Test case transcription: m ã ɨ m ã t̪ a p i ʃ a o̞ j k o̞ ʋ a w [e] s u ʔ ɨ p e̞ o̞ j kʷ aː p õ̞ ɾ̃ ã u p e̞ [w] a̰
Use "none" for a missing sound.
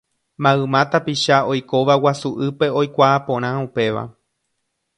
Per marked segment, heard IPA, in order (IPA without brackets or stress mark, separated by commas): a, ʋ